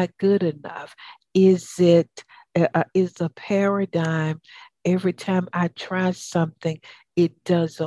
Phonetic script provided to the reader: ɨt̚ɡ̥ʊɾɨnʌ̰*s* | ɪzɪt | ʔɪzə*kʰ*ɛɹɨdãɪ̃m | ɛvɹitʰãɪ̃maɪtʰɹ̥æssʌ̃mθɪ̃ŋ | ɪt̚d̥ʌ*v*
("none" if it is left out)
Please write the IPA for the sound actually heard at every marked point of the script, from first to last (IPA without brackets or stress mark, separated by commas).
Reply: f, pʰ, z